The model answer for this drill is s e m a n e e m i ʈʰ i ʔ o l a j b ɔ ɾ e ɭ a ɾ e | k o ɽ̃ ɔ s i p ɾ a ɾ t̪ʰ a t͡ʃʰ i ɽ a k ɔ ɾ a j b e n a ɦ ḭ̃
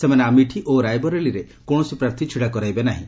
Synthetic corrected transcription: s e m a n e a m i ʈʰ i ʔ o ɾ a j b ɔ ɾ e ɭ i ɾ e | k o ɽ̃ ɔ s i p ɾ a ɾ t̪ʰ i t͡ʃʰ i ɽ a k ɔ ɾ a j b e n a ɦ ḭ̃